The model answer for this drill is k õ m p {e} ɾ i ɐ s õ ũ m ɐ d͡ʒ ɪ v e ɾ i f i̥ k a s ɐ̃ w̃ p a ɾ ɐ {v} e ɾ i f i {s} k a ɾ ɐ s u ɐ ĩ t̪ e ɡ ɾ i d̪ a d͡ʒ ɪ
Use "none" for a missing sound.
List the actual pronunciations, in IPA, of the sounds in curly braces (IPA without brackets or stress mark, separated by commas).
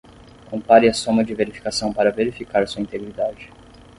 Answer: a, v, none